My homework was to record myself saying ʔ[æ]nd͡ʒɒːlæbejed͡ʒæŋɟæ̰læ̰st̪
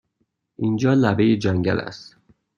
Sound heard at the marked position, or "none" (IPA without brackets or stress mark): i